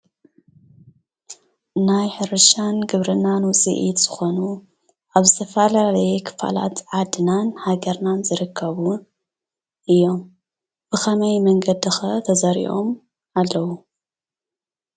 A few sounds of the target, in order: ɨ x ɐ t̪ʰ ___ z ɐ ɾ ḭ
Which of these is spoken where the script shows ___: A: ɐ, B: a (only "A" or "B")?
A